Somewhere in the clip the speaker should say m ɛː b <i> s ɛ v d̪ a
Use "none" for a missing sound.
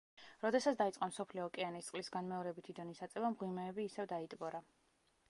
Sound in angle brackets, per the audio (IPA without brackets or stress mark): iː